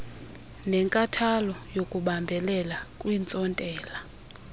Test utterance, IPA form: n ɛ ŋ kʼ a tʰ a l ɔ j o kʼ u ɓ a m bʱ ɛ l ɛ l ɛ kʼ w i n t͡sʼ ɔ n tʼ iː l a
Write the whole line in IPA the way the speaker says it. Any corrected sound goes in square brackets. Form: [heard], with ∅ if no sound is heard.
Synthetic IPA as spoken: n ɛ ŋ kʼ a tʰ a l ɔ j o kʼ u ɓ a m bʱ ɛ l ɛ l [a] kʼ w i n t͡sʼ ɔ n tʼ [ɛː] l a